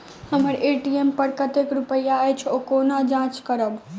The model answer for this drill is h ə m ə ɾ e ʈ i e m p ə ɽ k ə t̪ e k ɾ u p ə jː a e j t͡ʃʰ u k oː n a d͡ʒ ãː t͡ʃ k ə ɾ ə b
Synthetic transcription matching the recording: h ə m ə ɾ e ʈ i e m p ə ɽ k ə t̪ e k ɾ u p ə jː a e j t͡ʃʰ o k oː n a d͡ʒ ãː t͡ʃ k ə ɾ ə b